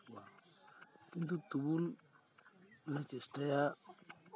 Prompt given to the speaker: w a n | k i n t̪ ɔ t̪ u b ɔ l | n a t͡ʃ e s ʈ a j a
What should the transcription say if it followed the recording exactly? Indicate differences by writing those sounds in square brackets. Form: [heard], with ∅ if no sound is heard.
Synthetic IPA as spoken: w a [∅] | k i n t̪ [u] t̪ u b [u] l | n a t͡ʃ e s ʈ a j a